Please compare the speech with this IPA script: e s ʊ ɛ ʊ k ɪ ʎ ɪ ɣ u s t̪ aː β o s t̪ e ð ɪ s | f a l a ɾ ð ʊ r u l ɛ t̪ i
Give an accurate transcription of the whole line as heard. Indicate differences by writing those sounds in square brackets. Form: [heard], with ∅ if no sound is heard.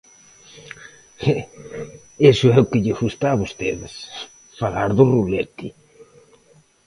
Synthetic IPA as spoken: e s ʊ ɛ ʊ k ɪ ʎ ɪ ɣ u s t̪ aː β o s t̪ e ð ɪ s | f a l a ɾ ð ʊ r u l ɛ t̪ i